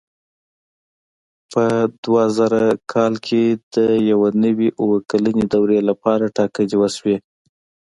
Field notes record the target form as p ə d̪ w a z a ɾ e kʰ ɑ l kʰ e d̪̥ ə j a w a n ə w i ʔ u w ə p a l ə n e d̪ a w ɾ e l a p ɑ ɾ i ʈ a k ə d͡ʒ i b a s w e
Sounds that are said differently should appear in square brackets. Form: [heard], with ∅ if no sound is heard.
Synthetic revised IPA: p ə d̪ w a z a ɾ [a] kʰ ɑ l kʰ e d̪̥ ə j a w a n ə w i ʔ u w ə [k] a l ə n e d̪ a w ɾ e l a p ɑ ɾ [a] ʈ [ɑ] k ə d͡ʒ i [w] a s w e